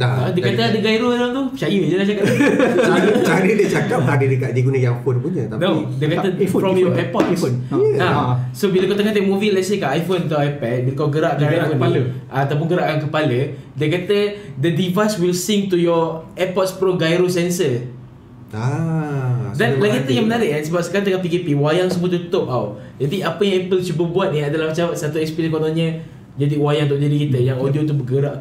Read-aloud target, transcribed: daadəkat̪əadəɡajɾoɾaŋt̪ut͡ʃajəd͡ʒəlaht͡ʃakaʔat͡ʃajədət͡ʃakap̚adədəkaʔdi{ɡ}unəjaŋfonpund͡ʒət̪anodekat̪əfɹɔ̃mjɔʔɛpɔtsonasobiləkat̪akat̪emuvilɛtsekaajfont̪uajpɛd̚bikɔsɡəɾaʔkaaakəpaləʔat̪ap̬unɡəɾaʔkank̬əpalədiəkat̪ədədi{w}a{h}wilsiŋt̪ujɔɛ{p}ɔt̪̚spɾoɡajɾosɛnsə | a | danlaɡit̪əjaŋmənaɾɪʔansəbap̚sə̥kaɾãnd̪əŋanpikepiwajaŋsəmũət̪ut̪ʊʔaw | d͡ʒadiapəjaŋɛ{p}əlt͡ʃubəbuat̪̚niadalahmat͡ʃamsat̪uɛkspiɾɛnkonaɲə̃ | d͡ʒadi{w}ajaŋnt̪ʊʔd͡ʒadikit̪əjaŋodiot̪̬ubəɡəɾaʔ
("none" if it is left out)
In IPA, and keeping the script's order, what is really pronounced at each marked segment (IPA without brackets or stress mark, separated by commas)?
ɡ, v, s, p, p, w